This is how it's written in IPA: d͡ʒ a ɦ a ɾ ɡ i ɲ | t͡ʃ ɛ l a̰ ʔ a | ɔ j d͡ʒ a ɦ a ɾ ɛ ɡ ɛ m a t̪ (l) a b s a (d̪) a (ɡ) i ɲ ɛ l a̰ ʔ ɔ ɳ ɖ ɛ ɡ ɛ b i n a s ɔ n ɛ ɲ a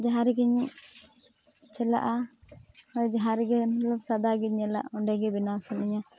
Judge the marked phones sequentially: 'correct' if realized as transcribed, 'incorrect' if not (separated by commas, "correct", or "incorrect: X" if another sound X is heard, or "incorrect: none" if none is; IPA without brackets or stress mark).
correct, correct, correct